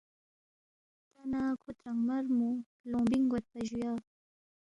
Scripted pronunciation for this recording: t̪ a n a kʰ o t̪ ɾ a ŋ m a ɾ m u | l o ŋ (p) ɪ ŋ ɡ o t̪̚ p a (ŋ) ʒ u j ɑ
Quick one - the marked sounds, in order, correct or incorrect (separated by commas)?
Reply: incorrect, incorrect